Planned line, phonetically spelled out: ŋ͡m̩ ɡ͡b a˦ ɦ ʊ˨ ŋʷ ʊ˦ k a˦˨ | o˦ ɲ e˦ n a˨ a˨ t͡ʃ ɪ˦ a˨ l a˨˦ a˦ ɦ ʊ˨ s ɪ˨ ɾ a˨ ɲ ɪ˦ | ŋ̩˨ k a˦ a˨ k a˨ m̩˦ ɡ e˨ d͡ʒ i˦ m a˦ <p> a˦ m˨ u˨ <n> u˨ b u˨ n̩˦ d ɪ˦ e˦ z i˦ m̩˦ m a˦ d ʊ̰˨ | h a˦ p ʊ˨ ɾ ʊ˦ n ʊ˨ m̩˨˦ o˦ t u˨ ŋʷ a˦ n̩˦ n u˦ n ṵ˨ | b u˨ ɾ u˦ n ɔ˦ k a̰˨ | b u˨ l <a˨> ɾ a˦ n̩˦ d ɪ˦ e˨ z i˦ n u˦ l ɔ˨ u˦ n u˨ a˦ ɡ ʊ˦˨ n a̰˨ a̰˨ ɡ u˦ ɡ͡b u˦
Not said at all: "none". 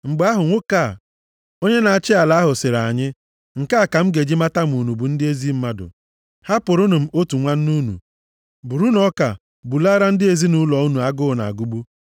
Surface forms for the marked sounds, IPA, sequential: t, n, a˦

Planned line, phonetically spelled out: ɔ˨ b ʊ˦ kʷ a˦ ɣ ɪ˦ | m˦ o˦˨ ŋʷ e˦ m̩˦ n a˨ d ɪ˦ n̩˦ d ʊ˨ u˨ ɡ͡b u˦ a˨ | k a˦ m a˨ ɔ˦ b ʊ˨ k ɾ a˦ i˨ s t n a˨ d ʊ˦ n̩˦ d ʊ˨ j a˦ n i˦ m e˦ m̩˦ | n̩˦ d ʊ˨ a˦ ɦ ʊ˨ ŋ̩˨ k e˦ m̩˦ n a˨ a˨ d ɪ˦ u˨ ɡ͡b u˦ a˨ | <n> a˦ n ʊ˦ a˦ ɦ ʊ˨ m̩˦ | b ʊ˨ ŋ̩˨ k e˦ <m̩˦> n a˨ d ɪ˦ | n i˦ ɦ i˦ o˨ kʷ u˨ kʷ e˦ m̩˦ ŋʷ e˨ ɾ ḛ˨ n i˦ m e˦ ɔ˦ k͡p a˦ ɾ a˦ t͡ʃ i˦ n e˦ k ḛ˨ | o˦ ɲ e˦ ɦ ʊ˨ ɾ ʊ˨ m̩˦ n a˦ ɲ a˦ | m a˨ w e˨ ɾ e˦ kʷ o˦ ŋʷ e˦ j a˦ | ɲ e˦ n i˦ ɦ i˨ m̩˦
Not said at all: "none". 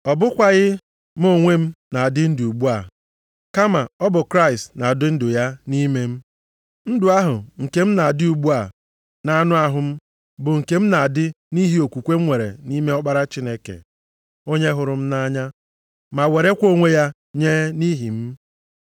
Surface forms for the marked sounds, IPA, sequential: n, m̩˦

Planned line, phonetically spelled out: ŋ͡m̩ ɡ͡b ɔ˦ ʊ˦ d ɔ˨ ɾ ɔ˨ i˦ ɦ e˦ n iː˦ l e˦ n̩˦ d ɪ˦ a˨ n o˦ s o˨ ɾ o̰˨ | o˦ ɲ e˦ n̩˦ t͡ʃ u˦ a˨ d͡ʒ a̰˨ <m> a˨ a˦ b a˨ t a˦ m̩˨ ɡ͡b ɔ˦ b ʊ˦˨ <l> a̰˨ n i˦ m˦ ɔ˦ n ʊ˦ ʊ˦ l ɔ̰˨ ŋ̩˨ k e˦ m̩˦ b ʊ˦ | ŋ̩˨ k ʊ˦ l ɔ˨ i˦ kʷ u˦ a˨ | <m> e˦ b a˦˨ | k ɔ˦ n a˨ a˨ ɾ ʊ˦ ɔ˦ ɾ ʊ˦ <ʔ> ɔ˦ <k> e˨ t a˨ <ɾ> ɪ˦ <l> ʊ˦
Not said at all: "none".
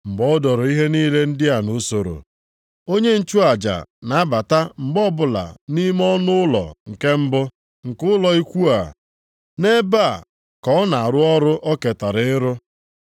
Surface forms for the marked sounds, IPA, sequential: n, l, n, ʔ, k, ɾ, ɾ

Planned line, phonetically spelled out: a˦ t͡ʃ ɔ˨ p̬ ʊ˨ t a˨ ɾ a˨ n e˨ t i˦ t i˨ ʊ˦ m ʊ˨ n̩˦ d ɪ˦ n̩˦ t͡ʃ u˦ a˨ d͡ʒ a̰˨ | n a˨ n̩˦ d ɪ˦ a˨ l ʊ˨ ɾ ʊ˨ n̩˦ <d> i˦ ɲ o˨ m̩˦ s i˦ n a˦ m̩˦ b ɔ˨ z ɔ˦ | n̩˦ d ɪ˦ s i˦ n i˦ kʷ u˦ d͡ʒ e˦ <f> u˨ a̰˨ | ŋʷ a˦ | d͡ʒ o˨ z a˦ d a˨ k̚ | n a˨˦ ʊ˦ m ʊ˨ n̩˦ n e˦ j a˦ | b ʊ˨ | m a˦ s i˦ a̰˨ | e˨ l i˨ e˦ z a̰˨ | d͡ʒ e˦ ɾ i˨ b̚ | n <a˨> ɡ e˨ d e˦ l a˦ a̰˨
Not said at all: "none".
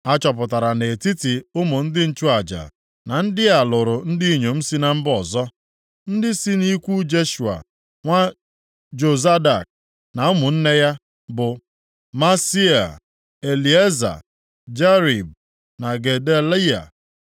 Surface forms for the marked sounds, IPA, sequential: d, ʃ, a˨

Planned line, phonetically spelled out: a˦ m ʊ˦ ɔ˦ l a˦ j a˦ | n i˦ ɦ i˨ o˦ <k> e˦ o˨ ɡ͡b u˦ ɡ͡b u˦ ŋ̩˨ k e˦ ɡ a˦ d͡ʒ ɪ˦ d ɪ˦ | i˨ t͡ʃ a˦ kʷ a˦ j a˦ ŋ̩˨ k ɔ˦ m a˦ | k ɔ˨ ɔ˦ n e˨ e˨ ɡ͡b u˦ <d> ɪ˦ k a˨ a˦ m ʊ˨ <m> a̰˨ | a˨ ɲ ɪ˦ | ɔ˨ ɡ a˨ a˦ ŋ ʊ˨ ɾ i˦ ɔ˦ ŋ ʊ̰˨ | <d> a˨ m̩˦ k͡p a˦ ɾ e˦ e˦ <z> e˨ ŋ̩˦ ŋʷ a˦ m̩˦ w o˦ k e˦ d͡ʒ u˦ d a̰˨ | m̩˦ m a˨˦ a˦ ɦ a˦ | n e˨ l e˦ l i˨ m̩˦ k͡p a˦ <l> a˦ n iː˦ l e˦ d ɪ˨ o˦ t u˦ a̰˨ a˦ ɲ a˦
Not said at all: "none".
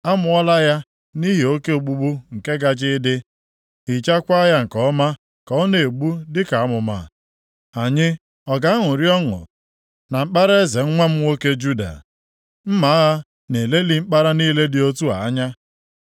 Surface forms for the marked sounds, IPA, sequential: k, d, m, n, z, ɾ

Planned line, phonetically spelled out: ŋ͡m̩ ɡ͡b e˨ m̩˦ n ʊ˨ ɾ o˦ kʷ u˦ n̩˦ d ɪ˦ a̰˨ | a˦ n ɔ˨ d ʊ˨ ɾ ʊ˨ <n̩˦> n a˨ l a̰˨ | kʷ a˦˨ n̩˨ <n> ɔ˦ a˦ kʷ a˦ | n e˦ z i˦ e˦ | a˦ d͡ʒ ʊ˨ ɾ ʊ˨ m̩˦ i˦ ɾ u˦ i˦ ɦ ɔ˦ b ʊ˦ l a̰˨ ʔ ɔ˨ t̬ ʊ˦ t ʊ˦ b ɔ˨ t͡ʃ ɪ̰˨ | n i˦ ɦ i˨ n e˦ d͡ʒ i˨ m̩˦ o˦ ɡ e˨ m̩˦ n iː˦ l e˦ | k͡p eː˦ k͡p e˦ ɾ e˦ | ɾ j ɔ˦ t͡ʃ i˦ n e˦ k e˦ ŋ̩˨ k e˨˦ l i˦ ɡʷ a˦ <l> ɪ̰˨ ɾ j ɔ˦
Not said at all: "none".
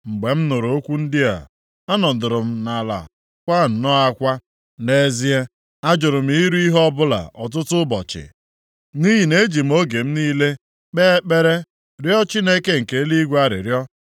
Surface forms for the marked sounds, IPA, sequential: m̩˦, n, ɾ

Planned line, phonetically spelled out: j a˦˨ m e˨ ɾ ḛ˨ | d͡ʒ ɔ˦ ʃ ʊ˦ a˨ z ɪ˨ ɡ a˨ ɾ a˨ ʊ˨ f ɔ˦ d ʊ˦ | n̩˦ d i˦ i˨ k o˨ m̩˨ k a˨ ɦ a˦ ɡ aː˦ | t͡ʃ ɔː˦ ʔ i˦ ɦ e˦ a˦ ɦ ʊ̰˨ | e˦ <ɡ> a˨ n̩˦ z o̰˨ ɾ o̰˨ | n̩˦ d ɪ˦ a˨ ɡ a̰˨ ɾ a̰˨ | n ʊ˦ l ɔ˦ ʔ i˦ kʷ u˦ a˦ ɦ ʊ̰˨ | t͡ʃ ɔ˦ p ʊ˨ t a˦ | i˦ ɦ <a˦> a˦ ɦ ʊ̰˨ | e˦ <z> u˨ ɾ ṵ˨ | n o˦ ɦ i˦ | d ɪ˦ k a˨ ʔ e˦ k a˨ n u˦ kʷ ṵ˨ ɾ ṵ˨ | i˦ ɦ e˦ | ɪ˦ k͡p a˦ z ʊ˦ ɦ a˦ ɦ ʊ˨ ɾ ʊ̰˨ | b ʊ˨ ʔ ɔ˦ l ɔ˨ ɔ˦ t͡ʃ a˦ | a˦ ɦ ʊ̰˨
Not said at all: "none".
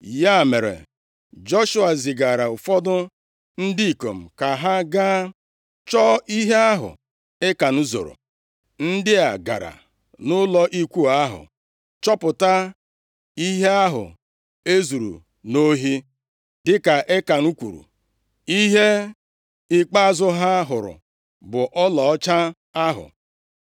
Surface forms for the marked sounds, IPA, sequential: k, e˦, z

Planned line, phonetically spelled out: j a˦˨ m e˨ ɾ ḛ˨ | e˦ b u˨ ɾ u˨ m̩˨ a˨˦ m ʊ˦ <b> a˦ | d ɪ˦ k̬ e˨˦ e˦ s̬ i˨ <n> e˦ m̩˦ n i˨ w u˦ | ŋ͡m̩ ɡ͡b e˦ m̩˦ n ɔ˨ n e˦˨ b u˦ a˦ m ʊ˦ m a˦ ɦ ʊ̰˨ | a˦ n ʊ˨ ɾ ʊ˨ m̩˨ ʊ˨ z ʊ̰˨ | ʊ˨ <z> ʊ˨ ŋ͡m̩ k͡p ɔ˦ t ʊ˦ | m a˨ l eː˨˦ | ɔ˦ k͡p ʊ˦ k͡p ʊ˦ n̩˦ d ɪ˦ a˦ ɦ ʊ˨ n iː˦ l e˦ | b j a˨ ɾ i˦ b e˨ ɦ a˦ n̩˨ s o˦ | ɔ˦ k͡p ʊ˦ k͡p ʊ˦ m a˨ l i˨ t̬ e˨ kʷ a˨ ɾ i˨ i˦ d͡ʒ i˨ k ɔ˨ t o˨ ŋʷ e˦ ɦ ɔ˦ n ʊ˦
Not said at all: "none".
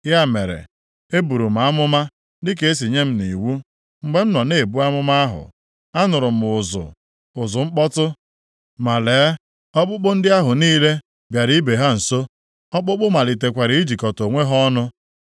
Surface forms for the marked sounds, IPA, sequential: m, ɲ, z

